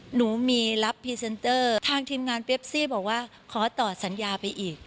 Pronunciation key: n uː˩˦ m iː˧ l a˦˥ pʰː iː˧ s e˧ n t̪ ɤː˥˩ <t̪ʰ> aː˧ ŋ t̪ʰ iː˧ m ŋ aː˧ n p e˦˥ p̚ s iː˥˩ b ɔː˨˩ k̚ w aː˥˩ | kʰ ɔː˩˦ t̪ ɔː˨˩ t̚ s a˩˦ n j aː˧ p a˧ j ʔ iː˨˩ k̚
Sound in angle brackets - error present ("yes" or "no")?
no